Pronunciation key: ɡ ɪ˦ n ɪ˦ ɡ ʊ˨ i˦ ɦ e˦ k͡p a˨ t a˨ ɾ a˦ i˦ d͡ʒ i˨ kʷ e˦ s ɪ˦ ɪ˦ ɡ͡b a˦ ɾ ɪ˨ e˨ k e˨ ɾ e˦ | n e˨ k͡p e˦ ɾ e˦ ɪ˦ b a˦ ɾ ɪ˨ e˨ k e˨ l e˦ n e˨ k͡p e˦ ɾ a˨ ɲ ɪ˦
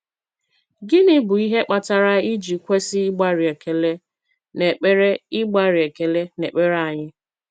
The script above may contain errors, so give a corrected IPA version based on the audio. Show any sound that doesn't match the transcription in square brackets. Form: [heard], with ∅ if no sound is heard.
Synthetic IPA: ɡ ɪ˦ n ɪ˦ [b] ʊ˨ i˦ ɦ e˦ k͡p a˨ t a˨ ɾ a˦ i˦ d͡ʒ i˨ kʷ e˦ s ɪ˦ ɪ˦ ɡ͡b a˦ ɾ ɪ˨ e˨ k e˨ [l] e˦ | n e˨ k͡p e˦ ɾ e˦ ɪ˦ [ɡ͡b] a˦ ɾ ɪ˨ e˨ k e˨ l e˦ n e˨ k͡p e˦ ɾ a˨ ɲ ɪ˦